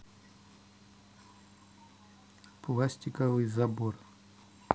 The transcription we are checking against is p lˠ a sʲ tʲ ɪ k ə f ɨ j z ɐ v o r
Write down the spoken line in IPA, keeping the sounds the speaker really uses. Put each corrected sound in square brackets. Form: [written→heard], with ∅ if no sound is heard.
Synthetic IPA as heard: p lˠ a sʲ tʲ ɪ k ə [f→v] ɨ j z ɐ [v→b] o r